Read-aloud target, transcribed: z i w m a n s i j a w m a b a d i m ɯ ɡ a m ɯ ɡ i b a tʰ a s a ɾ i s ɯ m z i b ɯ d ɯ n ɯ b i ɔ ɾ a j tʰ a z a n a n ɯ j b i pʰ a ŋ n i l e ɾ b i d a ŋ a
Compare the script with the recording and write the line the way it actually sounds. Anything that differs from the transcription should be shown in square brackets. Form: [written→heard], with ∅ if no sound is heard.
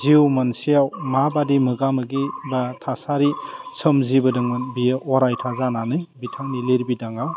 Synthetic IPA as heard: z i w m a n s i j a w m a b a d i m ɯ ɡ a m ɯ ɡ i b a tʰ a s a ɾ i s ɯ m z i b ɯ d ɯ [n→ŋ] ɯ b i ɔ ɾ a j tʰ a z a n a n ɯ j b i [pʰ→tʰ] a ŋ n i l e ɾ b i d a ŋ a